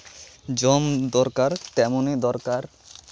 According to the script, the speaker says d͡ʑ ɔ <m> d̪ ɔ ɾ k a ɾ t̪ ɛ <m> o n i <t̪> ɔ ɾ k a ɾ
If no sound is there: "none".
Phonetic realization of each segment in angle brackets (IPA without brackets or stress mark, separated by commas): m, m, d̪